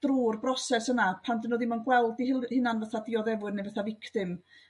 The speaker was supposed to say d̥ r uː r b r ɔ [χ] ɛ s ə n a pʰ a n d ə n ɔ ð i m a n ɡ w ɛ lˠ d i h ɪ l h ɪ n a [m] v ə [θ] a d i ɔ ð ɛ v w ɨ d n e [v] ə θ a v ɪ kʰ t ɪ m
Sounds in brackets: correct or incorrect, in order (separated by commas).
incorrect, incorrect, correct, correct